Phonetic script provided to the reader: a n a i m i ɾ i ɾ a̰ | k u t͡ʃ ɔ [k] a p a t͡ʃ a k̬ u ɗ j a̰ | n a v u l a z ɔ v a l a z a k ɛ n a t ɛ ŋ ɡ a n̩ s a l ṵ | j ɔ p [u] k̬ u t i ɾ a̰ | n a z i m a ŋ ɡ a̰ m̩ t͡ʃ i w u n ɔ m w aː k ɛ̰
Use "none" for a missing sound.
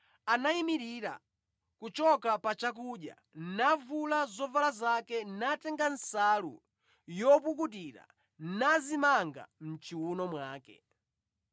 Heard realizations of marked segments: k, u

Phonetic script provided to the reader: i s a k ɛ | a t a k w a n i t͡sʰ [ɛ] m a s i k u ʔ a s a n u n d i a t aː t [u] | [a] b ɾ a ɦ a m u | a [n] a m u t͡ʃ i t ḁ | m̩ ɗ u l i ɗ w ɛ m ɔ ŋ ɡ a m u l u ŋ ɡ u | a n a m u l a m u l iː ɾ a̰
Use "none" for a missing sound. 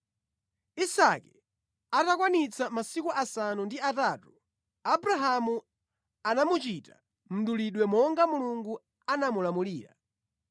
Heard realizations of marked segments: a, u, a, n

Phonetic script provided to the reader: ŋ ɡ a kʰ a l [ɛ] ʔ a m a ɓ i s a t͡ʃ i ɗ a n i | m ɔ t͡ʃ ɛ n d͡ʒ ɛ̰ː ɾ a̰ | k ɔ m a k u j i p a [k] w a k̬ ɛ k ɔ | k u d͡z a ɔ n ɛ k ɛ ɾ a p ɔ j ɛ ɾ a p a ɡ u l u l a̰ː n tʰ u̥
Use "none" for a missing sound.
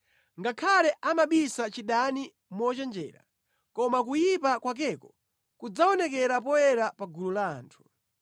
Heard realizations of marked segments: ɛ, k

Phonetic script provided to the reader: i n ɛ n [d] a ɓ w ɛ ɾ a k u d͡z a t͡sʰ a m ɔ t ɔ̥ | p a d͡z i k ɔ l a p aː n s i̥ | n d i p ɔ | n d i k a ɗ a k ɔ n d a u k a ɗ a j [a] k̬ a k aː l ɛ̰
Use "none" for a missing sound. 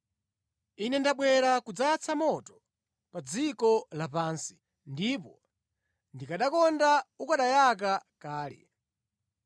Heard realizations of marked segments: d, a

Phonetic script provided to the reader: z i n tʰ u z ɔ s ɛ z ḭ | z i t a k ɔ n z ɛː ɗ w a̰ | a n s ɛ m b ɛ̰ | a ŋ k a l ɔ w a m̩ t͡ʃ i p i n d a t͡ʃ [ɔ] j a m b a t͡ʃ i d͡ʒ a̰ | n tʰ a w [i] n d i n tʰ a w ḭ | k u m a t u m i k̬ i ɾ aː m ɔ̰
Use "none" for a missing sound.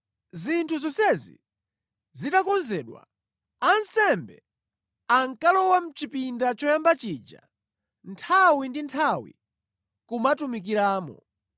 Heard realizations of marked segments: ɔ, i

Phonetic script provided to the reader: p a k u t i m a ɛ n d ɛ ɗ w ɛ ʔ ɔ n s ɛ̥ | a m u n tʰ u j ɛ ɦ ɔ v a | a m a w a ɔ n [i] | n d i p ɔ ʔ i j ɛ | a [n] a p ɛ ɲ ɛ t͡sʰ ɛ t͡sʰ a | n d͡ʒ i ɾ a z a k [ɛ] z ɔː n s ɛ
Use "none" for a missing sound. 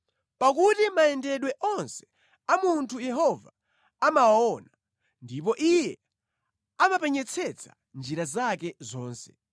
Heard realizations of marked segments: a, m, ɛ

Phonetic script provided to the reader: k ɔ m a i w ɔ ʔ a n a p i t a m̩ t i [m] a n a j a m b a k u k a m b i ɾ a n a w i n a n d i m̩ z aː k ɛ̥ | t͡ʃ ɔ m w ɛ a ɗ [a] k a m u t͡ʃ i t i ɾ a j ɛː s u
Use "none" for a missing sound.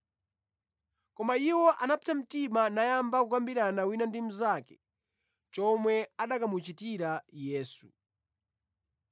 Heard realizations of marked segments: m, a

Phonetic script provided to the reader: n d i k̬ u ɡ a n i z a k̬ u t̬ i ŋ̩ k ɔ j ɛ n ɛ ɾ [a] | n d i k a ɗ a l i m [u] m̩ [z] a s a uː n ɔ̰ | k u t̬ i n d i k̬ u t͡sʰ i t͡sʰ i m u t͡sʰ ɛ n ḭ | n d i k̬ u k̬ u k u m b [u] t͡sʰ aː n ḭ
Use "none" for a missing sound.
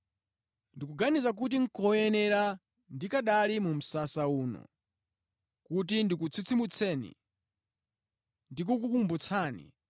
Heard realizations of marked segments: a, u, s, u

